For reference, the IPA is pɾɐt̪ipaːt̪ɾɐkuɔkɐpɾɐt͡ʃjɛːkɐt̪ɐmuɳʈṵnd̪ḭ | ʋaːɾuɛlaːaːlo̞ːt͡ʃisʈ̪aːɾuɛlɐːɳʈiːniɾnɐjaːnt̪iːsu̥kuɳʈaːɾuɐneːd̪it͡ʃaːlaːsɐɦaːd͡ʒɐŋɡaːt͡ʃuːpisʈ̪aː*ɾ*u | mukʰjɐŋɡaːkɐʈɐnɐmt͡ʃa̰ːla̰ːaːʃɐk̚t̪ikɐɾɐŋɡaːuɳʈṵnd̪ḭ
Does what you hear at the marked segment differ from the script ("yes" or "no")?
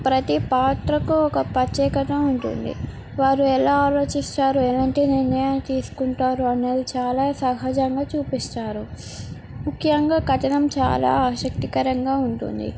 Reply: no